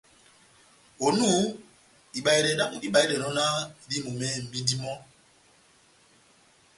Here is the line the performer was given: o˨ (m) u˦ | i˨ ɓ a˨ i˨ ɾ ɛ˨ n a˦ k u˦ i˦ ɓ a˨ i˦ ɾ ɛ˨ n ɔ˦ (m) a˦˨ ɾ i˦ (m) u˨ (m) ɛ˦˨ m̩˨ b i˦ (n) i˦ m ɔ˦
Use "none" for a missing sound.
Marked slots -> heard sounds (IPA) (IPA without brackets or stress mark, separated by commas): n, n, m, m, d